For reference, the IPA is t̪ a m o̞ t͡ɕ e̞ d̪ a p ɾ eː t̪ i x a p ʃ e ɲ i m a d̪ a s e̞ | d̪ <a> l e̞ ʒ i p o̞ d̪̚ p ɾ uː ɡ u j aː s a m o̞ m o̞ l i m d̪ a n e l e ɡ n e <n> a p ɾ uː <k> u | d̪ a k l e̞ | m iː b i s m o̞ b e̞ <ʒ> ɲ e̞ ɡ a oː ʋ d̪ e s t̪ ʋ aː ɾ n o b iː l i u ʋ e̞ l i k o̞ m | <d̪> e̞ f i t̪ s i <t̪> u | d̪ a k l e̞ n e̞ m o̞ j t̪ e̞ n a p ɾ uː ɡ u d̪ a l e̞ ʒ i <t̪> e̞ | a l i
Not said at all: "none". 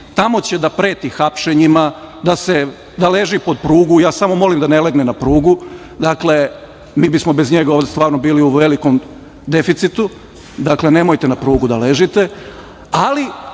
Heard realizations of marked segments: a, n, ɡ, z, d̪, t̪, t̪

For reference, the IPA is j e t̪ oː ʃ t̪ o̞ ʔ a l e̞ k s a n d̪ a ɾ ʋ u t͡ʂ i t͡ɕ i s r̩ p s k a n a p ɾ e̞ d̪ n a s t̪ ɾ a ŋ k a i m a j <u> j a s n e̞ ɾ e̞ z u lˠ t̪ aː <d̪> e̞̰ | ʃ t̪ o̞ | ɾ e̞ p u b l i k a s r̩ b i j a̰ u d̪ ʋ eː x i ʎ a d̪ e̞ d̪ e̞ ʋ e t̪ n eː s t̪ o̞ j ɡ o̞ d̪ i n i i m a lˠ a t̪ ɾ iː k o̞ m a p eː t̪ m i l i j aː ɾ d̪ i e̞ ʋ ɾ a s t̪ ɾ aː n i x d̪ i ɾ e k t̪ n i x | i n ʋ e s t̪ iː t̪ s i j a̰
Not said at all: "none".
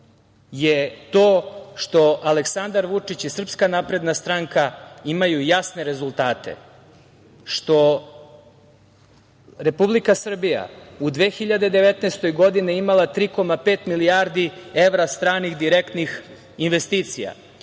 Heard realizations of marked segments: u, t̪

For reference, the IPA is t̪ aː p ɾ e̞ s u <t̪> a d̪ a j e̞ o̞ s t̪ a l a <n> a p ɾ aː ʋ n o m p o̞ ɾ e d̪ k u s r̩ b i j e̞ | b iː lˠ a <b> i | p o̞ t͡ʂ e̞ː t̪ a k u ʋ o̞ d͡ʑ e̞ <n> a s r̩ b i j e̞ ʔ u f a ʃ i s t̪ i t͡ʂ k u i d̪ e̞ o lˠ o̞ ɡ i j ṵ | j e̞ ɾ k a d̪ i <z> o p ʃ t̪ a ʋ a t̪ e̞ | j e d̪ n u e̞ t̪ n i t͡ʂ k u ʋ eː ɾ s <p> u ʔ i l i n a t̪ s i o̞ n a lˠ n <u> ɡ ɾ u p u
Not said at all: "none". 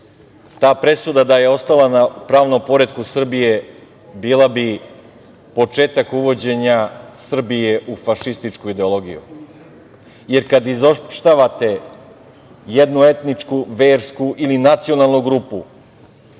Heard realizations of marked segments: d̪, n, b, ɲ, z, k, u

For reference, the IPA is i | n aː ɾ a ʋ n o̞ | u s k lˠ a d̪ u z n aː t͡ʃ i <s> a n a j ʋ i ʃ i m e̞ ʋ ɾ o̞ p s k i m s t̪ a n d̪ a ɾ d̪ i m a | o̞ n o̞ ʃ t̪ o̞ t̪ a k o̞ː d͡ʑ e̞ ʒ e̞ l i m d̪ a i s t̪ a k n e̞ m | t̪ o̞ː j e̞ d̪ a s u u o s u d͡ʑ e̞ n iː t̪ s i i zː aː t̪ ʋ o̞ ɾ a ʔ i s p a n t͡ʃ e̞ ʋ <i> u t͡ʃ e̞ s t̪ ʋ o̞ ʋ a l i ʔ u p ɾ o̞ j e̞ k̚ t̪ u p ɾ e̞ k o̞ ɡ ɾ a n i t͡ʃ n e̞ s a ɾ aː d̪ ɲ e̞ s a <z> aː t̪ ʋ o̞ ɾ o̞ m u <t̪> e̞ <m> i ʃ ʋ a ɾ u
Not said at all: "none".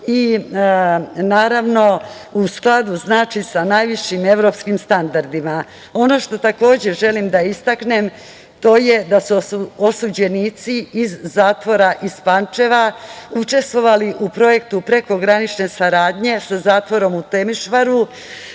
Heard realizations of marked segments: s, a, z, t̪, m

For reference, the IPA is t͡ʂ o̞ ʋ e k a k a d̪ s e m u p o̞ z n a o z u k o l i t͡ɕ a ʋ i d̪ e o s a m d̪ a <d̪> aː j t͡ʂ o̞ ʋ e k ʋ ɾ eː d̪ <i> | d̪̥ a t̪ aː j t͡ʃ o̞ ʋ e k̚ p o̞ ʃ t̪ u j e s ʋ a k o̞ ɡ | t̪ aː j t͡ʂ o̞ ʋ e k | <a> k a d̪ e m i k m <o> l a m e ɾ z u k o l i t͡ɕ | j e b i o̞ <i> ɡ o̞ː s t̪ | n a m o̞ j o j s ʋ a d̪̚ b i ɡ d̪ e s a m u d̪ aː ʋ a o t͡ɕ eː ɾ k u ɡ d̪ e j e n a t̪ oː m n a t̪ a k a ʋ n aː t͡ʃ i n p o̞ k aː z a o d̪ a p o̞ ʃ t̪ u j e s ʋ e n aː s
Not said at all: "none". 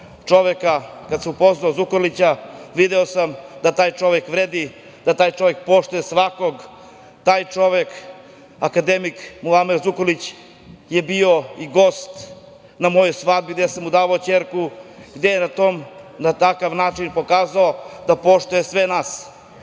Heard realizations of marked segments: t̪, i, a, u, i

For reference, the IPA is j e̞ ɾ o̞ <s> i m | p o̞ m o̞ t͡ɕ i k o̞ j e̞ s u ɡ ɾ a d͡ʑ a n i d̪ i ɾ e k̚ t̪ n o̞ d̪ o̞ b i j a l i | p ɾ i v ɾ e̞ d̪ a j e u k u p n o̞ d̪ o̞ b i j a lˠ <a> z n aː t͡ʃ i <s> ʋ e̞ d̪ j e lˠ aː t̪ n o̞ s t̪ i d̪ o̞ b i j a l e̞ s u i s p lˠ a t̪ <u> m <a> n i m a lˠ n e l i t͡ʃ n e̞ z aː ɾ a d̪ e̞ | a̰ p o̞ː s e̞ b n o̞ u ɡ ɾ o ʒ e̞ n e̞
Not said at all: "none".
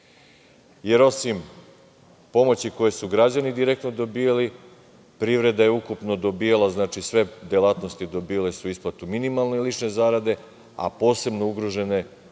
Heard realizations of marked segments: s, a, s, u, i

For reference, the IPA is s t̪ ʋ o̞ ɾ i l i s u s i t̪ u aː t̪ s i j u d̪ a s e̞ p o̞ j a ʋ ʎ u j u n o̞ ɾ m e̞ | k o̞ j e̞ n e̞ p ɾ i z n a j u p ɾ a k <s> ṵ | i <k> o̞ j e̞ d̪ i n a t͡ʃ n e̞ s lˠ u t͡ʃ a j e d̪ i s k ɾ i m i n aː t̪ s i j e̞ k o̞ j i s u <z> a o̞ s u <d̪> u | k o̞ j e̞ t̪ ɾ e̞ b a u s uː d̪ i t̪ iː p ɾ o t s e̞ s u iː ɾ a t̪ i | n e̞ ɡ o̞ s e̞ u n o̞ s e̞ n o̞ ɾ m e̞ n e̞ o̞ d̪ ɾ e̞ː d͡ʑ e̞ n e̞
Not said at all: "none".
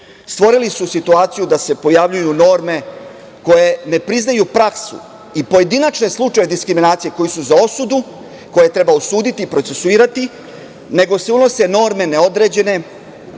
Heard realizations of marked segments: s, p, z, d̪

